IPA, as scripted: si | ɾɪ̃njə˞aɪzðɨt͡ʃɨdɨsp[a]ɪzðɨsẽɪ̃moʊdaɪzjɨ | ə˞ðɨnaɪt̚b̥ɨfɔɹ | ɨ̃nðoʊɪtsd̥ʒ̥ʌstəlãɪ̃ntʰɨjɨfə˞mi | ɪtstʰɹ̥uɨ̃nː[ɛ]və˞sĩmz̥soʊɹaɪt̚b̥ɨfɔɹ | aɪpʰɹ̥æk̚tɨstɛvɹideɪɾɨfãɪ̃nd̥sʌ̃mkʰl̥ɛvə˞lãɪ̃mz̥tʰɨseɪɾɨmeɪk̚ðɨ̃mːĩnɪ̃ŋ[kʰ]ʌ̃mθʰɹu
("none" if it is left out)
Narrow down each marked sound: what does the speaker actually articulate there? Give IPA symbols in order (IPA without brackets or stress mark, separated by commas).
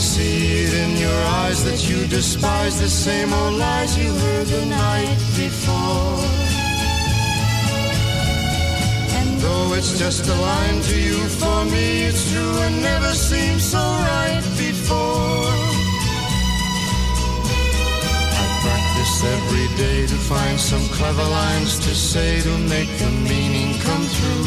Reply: a, ɛ, kʰ